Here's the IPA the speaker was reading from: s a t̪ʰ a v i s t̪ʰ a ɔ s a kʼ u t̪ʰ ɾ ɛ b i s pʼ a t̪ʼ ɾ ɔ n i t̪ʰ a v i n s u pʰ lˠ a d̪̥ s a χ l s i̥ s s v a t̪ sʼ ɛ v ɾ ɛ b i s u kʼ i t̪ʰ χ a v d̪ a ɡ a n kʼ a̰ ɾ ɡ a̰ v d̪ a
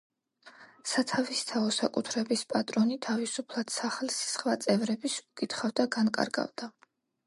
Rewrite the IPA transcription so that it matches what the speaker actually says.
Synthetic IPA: s a t̪ʰ a v i s t̪ʰ a ɔ s a kʼ u t̪ʰ ɾ ɛ b i s pʼ a t̪ʼ ɾ ɔ n i t̪ʰ a v i s u pʰ lˠ a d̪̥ s a χ l s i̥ s χ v a t̪ sʼ ɛ v ɾ ɛ b i s u kʼ i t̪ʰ χ a v d̪ a ɡ a n kʼ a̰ ɾ ɡ a̰ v d̪ a